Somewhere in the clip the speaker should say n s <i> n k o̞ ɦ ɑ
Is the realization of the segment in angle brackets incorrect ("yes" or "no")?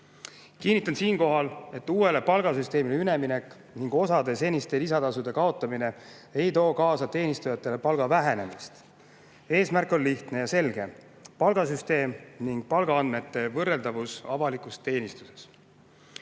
yes